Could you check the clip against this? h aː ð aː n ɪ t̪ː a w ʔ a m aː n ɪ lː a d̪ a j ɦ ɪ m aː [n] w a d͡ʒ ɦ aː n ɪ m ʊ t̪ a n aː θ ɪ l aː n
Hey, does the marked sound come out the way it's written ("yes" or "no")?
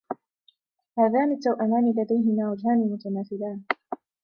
no